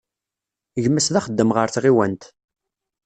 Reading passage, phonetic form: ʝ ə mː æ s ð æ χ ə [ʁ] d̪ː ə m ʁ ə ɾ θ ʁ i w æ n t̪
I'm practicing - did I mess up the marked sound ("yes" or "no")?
yes